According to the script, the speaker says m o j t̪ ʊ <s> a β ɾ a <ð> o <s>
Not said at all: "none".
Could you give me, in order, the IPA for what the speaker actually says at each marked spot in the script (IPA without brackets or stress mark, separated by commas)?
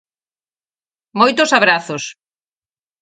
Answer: s, θ, s